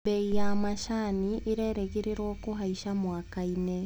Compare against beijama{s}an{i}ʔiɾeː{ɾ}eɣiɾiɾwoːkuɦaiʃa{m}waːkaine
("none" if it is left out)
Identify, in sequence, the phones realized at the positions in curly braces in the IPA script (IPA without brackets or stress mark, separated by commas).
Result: ʃ, i, ɾ, m